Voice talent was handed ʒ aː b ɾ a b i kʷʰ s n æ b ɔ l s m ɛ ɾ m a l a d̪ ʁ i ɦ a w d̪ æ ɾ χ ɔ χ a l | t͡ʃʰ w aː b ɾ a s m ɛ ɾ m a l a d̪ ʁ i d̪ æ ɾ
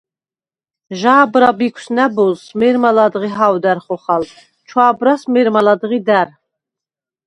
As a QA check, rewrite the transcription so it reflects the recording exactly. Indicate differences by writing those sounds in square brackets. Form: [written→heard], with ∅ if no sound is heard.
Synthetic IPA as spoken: ʒ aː b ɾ a b i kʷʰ s n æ b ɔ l s m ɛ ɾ m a l a d̪ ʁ i ɦ a w d̪ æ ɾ χ ɔ χ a l | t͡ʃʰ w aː b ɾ a s m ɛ ɾ m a l a d̪ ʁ i d̪ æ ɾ